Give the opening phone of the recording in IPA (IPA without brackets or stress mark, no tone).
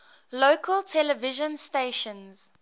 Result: l